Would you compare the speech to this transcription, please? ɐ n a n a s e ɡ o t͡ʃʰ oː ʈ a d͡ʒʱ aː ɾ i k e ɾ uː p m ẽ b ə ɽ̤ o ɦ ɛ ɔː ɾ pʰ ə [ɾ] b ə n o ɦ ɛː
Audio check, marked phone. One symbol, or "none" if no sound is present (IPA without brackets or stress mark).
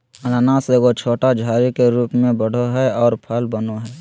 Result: l